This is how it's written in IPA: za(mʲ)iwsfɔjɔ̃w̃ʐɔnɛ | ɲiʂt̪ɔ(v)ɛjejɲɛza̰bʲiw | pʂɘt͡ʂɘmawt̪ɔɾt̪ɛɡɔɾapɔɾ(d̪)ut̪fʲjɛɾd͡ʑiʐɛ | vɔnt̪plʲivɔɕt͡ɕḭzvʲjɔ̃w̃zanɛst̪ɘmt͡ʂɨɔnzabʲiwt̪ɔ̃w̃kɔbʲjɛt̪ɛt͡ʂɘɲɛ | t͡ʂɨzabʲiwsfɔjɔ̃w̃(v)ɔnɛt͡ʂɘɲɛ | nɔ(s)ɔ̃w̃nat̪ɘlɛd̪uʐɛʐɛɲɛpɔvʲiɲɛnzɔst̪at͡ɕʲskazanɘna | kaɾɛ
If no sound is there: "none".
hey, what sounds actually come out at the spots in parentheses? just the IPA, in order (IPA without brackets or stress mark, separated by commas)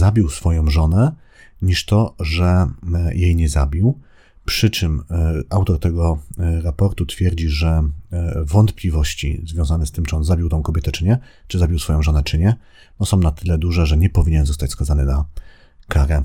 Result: bʲ, ʐ, t̪, ʐ, s